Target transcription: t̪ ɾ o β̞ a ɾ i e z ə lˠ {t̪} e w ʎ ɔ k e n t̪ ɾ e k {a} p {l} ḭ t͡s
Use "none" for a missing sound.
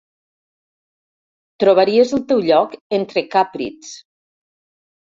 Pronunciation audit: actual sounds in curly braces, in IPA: t̪, a, ɾ

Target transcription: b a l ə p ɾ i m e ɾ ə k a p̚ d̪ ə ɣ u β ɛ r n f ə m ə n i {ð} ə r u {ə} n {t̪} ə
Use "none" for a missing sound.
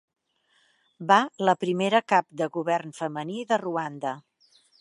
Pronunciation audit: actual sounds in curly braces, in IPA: ð, a, d̪

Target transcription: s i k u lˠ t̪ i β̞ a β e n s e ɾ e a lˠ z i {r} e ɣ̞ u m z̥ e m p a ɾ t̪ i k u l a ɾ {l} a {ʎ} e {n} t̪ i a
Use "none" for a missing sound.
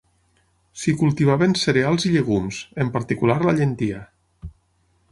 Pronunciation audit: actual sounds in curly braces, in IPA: ʎ, l, ʎ, n

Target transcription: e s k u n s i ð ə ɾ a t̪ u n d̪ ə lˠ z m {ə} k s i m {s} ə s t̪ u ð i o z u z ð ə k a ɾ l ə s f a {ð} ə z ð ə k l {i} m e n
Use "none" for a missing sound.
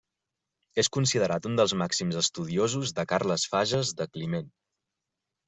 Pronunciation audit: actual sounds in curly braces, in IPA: a, z, ʒ, i

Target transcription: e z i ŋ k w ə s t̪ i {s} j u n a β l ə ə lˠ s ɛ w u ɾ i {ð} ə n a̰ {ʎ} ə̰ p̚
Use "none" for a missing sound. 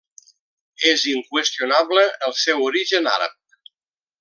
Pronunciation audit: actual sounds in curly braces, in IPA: none, ʒ, ɾ

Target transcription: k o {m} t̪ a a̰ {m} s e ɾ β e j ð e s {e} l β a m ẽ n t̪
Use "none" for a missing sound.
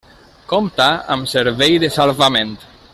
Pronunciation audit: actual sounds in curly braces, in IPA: m, m, a

